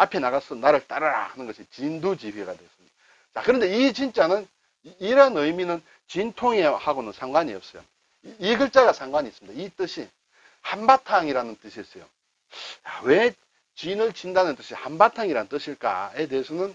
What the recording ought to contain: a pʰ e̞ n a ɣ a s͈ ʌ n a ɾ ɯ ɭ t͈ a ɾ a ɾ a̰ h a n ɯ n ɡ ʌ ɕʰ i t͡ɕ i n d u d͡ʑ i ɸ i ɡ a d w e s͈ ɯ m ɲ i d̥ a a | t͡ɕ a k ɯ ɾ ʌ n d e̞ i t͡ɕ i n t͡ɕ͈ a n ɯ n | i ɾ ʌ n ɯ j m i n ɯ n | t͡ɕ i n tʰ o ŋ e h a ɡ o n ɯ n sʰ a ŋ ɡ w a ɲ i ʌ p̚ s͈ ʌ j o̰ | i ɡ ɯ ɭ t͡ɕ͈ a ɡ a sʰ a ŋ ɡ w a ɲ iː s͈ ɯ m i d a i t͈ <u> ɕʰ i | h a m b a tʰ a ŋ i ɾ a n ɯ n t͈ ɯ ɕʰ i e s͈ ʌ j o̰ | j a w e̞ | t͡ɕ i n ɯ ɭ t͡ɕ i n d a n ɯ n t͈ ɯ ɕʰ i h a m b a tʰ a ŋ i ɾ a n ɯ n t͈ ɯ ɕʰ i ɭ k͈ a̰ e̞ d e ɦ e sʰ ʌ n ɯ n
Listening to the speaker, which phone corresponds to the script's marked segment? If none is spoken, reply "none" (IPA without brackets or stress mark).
ɯ